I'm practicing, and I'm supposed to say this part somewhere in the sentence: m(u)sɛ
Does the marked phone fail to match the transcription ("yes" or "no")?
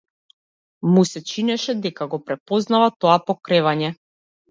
no